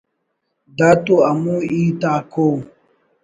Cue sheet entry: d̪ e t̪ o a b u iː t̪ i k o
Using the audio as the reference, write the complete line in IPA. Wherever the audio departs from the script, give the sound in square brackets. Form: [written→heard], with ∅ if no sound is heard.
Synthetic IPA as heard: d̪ [e→a] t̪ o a [b→m] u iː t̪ [i→a] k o